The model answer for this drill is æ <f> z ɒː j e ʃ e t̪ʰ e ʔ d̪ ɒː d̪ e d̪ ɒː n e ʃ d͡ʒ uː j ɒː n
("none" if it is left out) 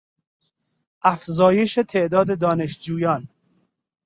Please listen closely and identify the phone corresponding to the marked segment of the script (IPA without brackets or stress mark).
f